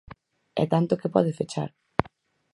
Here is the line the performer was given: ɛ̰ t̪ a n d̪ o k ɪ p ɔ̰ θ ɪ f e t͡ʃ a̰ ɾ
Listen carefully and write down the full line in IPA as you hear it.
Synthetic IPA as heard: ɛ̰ t̪ a n t̪ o k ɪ p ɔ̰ ð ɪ f e t͡ʃ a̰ ɾ